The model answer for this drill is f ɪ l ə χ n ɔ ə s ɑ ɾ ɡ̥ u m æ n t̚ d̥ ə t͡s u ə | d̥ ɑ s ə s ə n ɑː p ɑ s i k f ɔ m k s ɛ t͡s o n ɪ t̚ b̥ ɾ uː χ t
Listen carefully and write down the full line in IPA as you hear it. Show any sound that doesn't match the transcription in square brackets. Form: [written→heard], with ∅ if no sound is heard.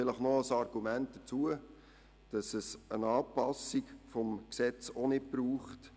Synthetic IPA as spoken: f ɪ l ə χ n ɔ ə s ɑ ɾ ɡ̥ u m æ n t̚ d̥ ə t͡s u ə | d̥ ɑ s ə s ə n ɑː p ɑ s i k f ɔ m k s ɛ t͡s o n ɪ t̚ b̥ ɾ uː χ t